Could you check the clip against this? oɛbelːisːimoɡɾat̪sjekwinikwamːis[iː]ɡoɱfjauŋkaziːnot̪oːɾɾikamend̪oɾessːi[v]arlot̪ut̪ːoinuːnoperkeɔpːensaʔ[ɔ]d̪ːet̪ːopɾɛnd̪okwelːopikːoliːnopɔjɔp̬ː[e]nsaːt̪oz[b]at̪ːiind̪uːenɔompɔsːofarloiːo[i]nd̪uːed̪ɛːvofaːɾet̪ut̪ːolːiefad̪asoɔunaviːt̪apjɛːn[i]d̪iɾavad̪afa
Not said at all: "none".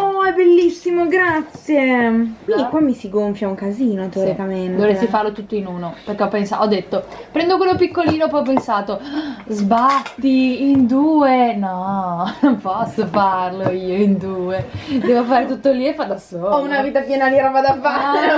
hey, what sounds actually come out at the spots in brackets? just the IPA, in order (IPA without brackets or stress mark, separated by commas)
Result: i, f, ɔ, e, b, i, a